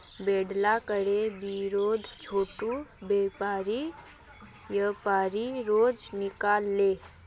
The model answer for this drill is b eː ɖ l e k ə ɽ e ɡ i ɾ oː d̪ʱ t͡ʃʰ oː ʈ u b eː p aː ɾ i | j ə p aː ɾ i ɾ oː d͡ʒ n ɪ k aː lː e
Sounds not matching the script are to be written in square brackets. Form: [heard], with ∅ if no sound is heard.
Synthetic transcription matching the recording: b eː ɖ l [a] k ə ɽ e [b] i ɾ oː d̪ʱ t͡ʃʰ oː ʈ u b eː p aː ɾ i | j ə p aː ɾ i ɾ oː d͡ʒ n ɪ k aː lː e